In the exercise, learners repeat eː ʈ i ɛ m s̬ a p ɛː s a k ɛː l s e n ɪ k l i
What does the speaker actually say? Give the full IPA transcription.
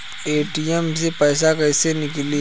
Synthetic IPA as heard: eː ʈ i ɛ m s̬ e p ɛː s a k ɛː s e n ɪ k l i